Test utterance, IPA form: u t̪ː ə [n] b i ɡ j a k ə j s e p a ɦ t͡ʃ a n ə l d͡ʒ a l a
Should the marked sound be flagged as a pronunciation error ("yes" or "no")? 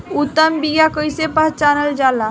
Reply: yes